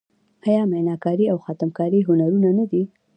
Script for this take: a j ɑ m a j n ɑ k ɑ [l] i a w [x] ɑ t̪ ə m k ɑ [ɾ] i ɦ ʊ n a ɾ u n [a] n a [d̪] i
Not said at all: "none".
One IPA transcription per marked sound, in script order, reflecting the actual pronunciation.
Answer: ɾ, x, ɾ, a, d̪

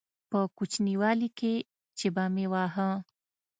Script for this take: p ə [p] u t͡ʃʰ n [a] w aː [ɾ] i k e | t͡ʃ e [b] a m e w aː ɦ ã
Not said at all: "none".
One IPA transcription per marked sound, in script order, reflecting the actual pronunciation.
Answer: k, i, l, b

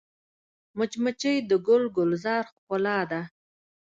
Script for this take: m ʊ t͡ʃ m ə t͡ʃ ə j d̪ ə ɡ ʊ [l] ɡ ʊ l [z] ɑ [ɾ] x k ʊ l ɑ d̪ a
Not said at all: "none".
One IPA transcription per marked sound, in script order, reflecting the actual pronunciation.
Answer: l, z, ɾ

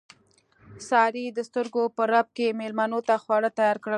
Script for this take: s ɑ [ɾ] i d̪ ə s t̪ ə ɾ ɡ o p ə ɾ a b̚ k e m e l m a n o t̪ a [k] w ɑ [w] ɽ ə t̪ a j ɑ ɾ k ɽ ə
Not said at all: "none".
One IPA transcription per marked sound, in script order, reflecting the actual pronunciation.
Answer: ɾ, x, none

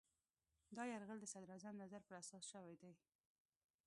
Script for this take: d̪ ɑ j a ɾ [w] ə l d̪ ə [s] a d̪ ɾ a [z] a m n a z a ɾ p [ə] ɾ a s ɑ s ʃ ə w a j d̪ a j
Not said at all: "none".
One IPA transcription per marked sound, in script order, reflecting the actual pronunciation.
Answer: ɣ, s, z, ə

